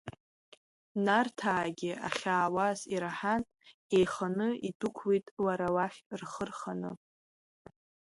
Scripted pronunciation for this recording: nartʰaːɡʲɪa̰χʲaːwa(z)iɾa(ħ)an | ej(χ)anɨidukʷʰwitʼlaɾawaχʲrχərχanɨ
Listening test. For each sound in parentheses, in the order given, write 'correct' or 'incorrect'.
correct, correct, correct

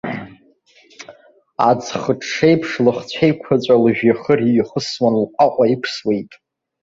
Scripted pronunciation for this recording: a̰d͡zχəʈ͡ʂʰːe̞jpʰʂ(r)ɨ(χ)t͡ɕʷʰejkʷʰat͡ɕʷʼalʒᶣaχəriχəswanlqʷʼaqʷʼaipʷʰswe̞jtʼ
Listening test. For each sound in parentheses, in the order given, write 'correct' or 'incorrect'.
incorrect, correct

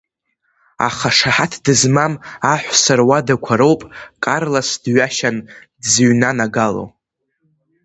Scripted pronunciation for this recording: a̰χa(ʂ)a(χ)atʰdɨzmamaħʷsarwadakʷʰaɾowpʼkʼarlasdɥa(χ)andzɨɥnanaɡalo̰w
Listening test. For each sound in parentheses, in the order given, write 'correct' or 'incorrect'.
correct, incorrect, incorrect

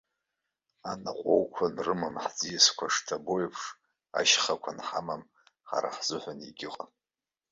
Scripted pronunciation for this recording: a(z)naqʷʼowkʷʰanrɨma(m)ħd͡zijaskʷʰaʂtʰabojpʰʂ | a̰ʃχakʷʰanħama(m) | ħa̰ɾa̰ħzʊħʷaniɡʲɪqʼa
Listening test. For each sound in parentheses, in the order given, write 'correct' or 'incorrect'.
incorrect, correct, correct

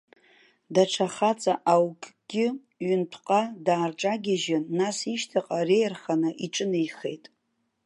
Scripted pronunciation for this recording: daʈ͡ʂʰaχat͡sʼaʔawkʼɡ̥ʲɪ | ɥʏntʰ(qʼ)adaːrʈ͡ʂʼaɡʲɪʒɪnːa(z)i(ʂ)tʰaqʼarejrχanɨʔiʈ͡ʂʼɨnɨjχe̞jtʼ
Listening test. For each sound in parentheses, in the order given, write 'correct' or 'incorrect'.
correct, incorrect, incorrect

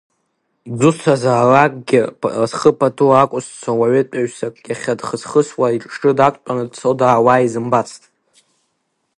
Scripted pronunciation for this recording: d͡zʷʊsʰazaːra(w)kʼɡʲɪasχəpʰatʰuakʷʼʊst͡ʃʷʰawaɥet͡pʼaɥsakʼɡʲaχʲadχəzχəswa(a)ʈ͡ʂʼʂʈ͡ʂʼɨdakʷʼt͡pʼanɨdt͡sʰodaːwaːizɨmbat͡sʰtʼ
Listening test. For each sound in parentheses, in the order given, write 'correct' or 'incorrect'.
incorrect, incorrect

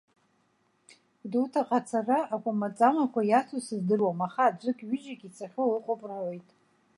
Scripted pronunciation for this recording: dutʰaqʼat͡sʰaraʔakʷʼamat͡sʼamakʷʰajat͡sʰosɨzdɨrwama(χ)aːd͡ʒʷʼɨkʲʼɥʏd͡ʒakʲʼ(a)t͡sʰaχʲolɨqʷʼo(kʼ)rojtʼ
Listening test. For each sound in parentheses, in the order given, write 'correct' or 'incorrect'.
correct, incorrect, incorrect

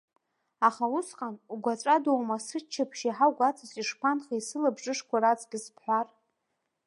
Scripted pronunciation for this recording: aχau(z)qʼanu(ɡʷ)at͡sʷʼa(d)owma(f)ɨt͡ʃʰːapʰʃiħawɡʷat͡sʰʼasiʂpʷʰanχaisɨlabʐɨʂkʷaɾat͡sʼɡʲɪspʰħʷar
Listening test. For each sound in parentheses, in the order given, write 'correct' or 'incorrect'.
incorrect, correct, correct, incorrect

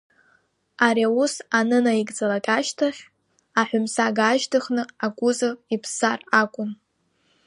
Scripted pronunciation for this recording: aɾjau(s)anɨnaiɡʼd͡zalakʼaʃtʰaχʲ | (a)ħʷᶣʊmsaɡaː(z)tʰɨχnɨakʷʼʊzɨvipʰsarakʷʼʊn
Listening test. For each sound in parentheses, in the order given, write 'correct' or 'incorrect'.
correct, correct, incorrect

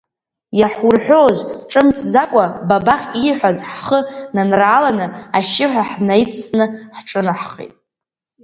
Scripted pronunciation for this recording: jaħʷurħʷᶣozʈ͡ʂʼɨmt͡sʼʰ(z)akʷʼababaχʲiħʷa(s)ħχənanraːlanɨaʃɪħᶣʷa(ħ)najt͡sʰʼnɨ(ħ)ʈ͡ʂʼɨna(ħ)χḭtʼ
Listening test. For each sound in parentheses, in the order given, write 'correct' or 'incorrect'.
correct, incorrect, correct, correct, correct

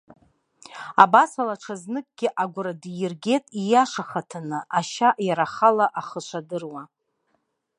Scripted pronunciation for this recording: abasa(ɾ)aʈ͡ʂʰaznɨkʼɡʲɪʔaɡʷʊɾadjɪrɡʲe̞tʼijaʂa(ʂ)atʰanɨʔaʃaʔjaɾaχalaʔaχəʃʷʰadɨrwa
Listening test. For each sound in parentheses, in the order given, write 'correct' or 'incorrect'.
incorrect, incorrect

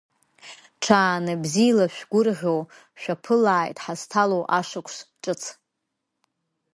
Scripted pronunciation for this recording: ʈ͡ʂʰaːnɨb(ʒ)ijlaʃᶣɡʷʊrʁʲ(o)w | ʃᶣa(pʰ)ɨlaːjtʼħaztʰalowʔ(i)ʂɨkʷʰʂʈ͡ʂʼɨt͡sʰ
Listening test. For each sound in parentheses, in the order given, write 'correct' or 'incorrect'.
incorrect, correct, correct, incorrect

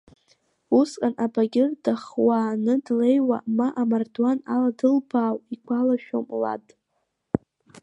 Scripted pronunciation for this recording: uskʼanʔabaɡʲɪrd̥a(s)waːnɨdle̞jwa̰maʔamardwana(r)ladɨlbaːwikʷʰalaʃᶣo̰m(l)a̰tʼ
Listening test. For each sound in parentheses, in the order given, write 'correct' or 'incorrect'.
incorrect, incorrect, correct

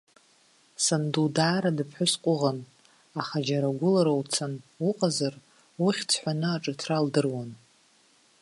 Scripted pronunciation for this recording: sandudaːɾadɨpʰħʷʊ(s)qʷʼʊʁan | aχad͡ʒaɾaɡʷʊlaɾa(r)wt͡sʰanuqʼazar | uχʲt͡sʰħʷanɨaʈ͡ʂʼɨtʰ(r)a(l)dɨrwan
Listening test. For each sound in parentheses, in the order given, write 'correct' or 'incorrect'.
correct, incorrect, correct, correct

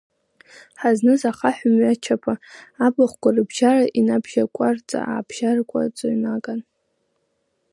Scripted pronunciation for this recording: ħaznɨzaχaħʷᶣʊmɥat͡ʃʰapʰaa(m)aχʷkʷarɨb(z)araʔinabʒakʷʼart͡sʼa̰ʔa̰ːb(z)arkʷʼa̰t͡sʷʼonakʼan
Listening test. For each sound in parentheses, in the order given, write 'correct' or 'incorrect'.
incorrect, incorrect, incorrect

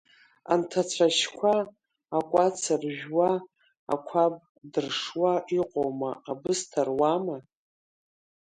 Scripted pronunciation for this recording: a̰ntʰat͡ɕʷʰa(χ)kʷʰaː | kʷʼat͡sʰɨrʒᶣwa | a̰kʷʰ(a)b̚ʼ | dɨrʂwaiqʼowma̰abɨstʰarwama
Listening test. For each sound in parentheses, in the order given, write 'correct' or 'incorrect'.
incorrect, correct

